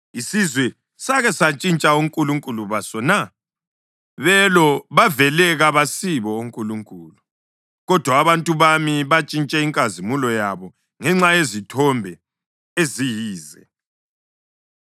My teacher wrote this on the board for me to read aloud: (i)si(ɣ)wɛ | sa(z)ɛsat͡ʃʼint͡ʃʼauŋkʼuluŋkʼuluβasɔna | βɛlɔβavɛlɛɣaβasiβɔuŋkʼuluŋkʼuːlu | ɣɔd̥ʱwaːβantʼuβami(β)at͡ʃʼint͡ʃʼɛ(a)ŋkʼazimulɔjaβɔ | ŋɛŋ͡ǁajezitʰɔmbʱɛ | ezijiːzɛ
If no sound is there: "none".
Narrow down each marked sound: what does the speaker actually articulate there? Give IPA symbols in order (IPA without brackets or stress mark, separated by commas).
i, z, ɣ, β, i